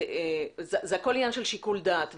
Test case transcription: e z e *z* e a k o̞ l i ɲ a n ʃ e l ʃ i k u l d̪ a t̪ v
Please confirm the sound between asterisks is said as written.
yes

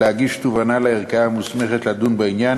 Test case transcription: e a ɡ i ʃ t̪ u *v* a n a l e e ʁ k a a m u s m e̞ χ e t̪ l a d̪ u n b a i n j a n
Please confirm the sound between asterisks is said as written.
yes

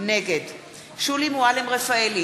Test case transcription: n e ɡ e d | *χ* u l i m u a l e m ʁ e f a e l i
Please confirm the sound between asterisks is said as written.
no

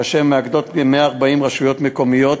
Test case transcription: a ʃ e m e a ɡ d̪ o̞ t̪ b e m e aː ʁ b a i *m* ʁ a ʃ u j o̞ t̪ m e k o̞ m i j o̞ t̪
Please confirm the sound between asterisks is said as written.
yes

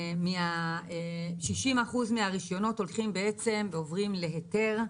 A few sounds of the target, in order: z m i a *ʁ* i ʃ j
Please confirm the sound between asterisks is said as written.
yes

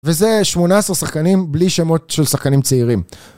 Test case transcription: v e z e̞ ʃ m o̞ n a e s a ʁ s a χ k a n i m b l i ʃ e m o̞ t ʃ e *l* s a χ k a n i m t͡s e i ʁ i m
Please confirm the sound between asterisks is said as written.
yes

